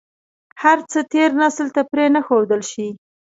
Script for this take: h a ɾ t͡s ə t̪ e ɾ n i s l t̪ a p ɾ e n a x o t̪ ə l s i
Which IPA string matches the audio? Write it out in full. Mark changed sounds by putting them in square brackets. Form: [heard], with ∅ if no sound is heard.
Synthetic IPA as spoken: h a ɾ t͡s ə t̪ e ɾ n [a] s l t̪ a p ɾ e n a x o [d̪] ə l [ʃ] i